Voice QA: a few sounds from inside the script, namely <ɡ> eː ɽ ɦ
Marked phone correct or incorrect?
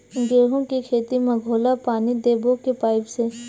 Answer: correct